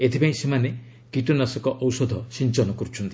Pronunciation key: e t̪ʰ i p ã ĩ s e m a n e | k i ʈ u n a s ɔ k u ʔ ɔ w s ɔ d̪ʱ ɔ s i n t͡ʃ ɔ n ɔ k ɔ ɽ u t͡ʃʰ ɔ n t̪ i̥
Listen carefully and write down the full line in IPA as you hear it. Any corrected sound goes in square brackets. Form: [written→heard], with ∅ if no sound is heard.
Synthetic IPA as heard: e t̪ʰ i p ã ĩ s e m a n e | k i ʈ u n a s ɔ k [u→ɔ] ʔ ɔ w s ɔ d̪ʱ ɔ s i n t͡ʃ ɔ n ɔ k ɔ [ɽ→ɾ] u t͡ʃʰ ɔ n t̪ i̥